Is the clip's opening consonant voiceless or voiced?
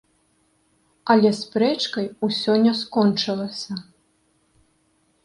voiced